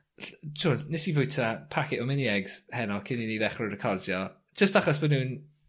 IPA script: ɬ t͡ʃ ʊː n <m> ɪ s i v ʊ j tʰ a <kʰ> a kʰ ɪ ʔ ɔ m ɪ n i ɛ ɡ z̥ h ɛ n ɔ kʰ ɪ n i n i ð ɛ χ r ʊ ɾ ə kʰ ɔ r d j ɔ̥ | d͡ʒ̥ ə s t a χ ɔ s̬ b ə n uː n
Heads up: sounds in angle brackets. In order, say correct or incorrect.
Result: incorrect, incorrect

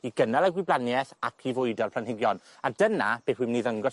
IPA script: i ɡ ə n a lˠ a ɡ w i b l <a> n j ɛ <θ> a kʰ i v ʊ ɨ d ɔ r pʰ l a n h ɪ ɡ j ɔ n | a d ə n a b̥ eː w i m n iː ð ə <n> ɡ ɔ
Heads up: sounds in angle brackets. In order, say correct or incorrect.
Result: correct, correct, incorrect

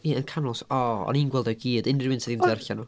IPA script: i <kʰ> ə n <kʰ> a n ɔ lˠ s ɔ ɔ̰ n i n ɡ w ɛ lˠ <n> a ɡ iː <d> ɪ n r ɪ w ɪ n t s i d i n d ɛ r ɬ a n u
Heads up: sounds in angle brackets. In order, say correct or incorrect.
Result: incorrect, correct, incorrect, correct

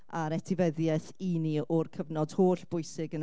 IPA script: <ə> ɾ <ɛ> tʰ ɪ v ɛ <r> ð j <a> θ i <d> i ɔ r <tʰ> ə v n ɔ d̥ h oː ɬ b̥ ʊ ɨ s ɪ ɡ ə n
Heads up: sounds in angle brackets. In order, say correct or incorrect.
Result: incorrect, correct, incorrect, incorrect, incorrect, incorrect

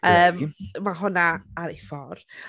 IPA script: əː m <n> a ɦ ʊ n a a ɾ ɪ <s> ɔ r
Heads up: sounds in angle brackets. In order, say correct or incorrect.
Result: incorrect, incorrect

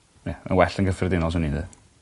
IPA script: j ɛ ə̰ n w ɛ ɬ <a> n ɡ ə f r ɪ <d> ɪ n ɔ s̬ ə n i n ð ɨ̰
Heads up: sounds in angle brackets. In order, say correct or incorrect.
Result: incorrect, correct

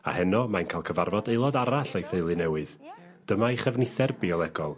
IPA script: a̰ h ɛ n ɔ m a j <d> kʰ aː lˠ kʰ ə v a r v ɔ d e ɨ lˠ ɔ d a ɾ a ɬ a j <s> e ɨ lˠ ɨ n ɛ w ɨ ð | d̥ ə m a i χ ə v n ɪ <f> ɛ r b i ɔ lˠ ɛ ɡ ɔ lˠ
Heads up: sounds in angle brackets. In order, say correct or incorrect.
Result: incorrect, incorrect, incorrect

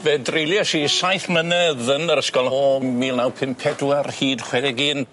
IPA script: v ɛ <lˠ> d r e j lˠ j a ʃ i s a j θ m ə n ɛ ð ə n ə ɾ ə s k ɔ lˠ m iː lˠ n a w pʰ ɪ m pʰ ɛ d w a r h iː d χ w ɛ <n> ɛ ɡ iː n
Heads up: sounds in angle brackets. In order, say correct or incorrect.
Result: incorrect, incorrect

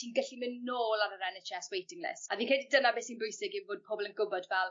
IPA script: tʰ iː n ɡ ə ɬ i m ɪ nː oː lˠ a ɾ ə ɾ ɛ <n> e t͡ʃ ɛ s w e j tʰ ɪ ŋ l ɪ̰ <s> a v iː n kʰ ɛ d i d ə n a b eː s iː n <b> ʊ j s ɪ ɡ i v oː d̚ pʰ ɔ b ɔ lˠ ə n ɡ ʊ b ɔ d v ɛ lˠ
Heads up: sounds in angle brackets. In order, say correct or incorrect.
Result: correct, correct, correct

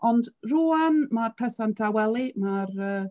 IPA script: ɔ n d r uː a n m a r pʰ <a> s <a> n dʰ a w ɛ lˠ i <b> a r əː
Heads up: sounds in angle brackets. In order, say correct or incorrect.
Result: incorrect, correct, incorrect

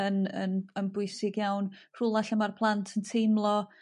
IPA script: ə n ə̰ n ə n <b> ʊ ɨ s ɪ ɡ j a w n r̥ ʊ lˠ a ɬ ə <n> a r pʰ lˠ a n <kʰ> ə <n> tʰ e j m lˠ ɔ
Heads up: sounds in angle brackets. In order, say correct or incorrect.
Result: correct, incorrect, incorrect, correct

